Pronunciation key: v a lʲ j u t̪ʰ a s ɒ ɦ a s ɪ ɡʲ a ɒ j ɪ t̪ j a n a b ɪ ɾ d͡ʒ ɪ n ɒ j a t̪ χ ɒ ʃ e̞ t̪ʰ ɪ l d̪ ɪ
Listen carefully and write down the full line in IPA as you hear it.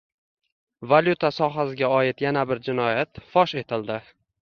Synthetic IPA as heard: v a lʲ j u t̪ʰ a s ɒ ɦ a s ɪ ɡʲ a ɒ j ɪ t̪ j a n a b ɪ ɾ d͡ʒ ɪ n ɒ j a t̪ f ɒ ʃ e̞ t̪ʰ ɪ l d̪ ɪ